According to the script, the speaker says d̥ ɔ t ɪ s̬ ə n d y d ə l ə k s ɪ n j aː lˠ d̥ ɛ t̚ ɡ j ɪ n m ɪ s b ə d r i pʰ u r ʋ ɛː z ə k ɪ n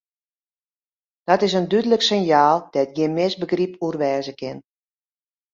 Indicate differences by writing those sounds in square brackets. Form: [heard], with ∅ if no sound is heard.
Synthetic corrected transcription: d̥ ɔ t ɪ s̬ ə n d y d ə l ə k s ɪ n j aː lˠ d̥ ɛ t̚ ɡ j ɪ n m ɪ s b ə [ɡ] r i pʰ u r ʋ ɛː z ə k ɪ n

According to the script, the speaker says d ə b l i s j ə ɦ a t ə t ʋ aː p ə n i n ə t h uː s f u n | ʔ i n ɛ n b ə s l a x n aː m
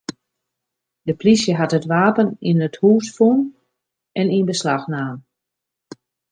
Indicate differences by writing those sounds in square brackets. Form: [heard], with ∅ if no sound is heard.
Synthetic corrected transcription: d ə [p] l i s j ə ɦ a t ə t ʋ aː p ə n i n ə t h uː s f u n | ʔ [ɛ] n [i] n b ə s l a x n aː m

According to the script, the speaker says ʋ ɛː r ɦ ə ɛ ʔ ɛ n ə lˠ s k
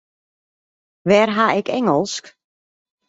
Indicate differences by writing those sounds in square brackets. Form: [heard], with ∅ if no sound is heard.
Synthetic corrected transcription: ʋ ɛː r ɦ [a] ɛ [k] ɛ [ŋ] ə lˠ s k

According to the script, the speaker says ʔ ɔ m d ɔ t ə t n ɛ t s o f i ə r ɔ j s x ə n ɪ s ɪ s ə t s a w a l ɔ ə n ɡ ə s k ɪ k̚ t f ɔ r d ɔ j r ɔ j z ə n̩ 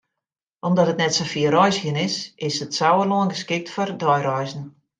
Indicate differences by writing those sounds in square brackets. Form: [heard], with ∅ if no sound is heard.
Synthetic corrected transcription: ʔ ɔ m d ɔ t ə t n ɛ t s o f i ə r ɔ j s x ə n ɪ s ɪ s ə t s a w [ə] l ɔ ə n ɡ ə s k ɪ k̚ t f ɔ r d ɔ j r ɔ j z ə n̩

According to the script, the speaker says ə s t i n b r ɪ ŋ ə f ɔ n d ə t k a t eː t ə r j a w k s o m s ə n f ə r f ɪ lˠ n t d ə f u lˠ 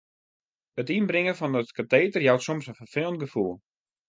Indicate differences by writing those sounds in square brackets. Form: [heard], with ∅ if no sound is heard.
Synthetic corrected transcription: ə [∅] t i n b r ɪ ŋ ə f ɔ n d ə t k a t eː t ə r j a w [t] s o m s ə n f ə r f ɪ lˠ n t [ɡ] ə f u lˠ

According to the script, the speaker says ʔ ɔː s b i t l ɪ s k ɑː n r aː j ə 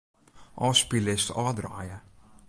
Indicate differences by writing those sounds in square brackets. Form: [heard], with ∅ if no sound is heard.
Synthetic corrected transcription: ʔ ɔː s [p] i [∅] l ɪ s [t] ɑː [d] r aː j ə

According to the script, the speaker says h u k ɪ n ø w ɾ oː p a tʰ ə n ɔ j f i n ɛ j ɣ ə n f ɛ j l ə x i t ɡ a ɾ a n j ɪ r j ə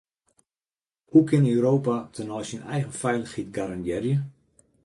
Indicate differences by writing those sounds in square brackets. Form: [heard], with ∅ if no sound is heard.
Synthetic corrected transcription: h u k ɪ n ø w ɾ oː p a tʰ ə n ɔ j [s] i n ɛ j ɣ ə n f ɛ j l ə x i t ɡ a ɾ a n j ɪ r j ə

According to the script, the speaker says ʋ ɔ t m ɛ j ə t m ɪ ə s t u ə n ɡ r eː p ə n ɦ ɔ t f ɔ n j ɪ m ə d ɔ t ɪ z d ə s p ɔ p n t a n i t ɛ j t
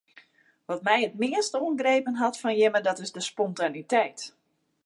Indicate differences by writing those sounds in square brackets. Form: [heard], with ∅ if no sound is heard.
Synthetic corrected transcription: ʋ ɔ t m ɛ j ə t m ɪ ə s t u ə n ɡ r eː p ə n ɦ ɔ t f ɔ n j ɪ m ə d ɔ t ɪ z d ə s p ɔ [∅] n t a n i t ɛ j t

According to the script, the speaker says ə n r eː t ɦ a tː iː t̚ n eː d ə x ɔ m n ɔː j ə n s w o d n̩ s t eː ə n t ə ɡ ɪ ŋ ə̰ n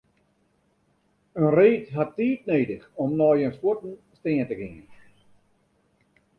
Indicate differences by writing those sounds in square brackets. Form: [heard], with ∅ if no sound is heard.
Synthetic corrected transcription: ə n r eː t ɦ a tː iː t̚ n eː d ə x ɔ m n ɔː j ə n s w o [t] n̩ s t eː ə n t ə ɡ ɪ ŋ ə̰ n

